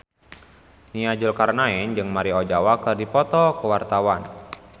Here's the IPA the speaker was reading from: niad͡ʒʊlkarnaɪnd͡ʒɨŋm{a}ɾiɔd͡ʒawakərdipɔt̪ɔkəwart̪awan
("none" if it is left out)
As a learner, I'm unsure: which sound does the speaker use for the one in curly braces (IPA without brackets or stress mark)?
a